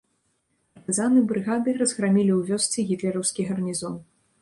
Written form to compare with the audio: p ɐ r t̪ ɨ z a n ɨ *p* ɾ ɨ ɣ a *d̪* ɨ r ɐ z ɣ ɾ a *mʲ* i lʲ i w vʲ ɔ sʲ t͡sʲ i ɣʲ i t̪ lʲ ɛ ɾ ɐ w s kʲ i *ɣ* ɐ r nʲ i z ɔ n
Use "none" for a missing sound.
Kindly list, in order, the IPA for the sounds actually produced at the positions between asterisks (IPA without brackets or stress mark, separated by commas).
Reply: b, d̪, mʲ, ɣ